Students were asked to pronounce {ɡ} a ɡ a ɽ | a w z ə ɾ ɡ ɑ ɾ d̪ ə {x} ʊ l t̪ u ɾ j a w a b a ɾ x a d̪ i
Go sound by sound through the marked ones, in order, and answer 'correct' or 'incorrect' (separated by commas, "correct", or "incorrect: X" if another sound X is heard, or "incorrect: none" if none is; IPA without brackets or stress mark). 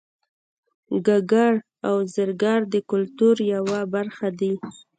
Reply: correct, incorrect: k